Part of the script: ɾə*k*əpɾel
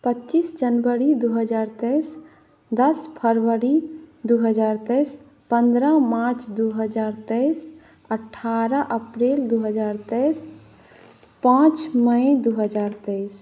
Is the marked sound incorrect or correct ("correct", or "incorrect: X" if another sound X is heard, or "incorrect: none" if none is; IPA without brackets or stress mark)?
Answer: incorrect: ʔ